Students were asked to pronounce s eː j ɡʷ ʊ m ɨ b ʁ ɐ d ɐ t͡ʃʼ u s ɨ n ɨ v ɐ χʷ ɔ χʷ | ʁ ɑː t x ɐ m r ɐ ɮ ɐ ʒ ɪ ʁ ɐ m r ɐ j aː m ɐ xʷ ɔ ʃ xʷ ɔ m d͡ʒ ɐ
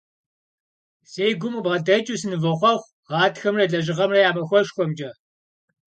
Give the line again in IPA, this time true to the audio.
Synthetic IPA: s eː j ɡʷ ʊ m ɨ b ʁ ɐ d ɐ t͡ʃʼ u s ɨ n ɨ v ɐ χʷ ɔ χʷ | ʁ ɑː t x ɐ m r ɐ ɮ ɐ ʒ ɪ ʁ ɐ m r ɐ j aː m ɐ xʷ ɔ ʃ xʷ ɔ m d͡ʒ ɐ